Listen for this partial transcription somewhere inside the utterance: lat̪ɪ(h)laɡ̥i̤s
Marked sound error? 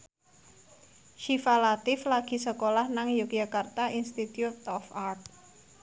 yes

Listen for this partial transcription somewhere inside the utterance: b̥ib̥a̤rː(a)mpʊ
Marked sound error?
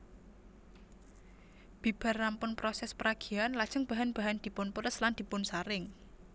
no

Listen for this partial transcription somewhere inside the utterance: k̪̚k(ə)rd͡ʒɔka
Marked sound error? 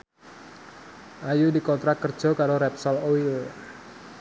no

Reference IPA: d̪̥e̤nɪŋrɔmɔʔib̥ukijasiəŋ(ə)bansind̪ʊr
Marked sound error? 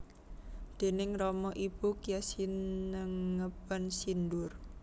no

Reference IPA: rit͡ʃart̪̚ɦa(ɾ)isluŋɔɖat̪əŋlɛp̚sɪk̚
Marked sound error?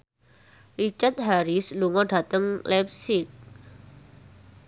no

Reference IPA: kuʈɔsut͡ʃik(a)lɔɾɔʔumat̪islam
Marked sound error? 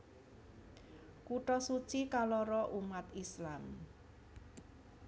no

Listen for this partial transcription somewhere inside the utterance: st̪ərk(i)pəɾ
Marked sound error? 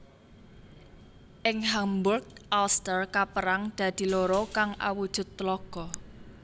yes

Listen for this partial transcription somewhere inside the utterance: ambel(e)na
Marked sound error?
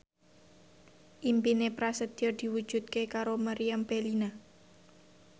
yes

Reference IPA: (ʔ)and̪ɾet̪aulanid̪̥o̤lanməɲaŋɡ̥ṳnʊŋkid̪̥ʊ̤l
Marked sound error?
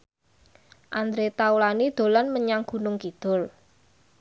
no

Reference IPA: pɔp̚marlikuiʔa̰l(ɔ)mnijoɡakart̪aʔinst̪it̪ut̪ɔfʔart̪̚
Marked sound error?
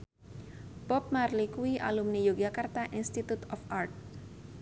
yes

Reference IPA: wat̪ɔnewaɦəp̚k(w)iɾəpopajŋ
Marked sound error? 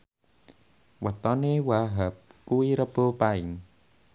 yes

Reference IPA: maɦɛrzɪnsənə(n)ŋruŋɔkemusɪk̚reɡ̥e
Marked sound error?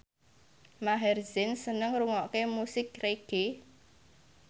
yes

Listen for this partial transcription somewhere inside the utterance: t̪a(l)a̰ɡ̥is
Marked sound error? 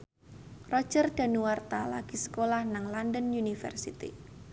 no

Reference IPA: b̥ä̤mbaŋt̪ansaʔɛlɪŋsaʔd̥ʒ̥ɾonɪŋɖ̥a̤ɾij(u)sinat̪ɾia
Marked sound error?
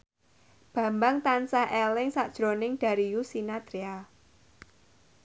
no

